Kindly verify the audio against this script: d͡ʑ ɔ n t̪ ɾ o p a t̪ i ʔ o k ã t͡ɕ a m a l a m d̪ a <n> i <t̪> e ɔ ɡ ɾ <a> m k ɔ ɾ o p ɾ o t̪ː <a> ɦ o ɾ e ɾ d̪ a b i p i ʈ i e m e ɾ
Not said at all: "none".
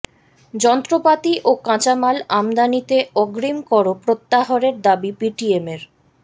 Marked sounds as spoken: n, t̪, i, a

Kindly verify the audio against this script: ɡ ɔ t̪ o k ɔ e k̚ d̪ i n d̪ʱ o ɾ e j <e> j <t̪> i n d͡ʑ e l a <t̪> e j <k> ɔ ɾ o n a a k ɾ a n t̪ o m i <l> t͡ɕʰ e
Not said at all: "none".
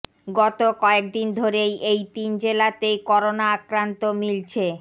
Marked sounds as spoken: e, t̪, t̪, k, l

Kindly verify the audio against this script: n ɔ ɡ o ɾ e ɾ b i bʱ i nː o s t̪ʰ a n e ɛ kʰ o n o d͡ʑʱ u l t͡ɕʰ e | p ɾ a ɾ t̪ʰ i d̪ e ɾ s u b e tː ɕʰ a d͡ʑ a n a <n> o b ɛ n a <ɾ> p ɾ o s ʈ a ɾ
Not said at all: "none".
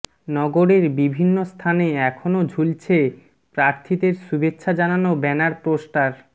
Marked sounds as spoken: n, ɾ

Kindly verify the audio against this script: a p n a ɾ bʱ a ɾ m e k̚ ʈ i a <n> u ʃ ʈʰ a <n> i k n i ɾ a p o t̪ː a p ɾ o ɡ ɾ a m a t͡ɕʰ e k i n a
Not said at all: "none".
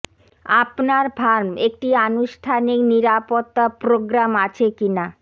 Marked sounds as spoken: n, n

